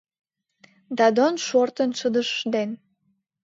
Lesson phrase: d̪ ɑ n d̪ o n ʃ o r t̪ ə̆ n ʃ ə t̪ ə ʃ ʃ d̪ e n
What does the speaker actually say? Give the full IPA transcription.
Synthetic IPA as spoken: d̪ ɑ d̪ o n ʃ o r t̪ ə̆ n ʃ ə d̪ ə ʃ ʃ d̪ e n